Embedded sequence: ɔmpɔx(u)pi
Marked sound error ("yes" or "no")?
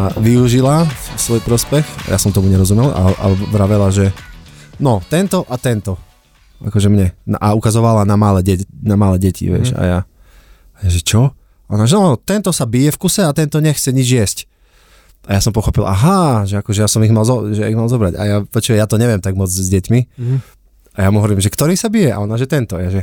yes